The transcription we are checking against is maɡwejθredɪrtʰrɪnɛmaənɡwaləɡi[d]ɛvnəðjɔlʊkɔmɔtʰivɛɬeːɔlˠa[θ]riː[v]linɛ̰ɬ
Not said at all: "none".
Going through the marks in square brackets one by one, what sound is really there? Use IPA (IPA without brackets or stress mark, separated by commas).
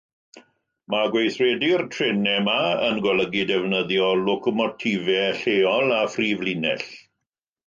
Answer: d, f, v